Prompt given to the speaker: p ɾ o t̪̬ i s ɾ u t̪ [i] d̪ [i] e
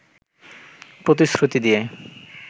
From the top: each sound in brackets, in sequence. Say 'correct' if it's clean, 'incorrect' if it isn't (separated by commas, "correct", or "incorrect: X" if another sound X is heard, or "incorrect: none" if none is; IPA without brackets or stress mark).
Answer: correct, correct